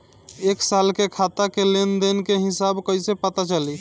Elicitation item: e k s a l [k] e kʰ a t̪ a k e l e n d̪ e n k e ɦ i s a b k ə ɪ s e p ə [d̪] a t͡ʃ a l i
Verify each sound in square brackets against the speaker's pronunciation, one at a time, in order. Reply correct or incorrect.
correct, incorrect

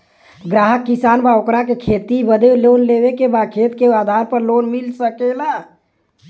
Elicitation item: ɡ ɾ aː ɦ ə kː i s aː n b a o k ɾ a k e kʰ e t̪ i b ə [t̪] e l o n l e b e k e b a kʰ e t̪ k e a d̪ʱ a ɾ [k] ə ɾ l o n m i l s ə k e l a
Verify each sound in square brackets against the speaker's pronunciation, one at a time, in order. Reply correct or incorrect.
incorrect, incorrect

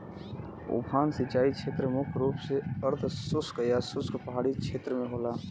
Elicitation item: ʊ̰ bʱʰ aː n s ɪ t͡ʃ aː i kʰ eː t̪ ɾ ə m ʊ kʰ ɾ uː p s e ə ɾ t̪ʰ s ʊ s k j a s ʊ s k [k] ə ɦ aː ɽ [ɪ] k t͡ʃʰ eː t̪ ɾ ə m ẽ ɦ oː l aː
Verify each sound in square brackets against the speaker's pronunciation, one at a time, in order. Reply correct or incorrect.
incorrect, incorrect

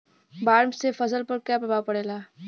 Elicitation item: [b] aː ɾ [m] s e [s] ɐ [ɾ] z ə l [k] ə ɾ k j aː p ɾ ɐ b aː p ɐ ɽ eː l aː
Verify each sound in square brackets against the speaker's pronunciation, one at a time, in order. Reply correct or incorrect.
correct, correct, incorrect, incorrect, incorrect

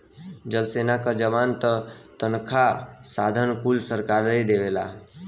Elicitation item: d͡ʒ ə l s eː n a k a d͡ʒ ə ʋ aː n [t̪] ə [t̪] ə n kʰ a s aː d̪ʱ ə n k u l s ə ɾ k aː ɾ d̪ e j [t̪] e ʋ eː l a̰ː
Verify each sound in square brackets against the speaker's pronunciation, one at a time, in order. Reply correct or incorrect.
correct, correct, incorrect

